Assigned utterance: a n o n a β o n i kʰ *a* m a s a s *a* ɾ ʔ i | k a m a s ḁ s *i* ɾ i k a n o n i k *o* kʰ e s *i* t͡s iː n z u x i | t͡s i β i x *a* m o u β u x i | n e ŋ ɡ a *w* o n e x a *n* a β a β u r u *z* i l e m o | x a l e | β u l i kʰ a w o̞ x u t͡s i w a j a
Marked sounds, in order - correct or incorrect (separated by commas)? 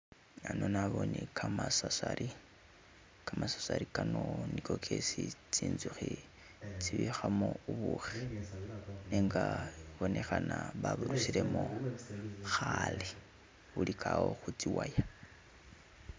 correct, correct, incorrect, correct, correct, correct, incorrect, correct, incorrect